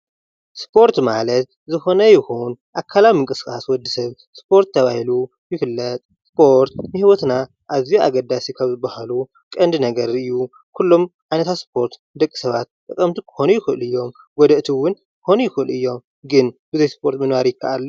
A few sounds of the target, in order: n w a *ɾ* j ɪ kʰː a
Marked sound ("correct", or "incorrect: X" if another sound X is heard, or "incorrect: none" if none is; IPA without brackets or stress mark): correct